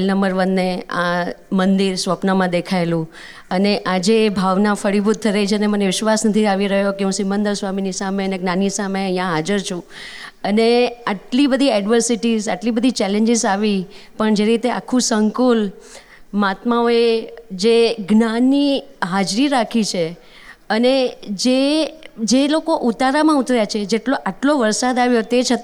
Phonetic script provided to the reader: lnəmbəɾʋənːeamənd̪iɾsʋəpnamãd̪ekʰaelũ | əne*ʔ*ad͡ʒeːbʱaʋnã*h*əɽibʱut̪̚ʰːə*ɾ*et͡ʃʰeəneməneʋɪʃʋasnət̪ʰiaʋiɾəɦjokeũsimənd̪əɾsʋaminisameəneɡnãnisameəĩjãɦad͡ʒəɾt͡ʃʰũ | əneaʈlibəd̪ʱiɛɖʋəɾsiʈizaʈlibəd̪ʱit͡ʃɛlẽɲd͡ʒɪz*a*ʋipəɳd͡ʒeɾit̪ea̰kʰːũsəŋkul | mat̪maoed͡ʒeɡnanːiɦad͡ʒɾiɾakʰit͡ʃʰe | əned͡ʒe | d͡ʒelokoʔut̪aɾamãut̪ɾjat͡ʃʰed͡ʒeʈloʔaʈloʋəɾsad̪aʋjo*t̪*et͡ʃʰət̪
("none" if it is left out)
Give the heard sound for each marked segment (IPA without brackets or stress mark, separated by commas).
ʔ, f, ɾ, a, t̪